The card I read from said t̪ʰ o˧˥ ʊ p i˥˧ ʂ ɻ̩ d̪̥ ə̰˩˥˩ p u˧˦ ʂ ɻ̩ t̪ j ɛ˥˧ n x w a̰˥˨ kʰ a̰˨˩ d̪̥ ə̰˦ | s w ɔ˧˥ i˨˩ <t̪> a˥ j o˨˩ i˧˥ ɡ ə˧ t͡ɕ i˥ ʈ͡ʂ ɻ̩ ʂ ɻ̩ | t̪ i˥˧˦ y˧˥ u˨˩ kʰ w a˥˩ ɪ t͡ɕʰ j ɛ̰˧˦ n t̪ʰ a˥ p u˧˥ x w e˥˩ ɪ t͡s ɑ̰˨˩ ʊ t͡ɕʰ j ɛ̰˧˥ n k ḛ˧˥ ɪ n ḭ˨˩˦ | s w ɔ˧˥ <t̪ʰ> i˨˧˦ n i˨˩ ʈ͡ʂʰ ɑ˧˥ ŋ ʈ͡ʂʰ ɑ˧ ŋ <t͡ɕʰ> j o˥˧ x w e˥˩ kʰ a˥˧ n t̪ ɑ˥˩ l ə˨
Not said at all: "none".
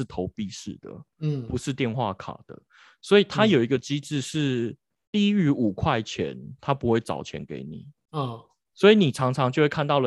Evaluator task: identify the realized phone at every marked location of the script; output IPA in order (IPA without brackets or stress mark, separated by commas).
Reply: t̪ʰ, none, t͡ɕ